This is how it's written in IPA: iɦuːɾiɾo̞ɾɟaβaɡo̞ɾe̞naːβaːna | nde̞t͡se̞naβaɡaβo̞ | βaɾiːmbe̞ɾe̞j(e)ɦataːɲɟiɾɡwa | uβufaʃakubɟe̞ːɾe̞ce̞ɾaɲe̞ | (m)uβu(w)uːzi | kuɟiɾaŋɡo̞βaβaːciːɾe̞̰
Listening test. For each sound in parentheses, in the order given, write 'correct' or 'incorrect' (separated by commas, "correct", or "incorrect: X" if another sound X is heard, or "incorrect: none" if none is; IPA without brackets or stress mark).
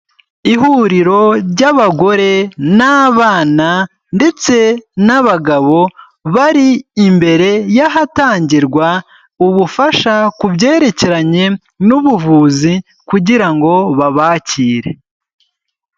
incorrect: a, incorrect: n, incorrect: v